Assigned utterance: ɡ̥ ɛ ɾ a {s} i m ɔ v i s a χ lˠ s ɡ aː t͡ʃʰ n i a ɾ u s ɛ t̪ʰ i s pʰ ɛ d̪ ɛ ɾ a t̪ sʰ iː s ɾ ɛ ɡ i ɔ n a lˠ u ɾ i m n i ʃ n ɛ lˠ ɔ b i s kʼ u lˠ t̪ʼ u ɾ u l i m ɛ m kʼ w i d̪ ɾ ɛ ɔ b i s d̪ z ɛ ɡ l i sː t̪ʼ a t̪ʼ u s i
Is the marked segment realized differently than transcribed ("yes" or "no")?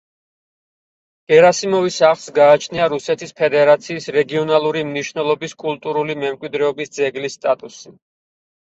no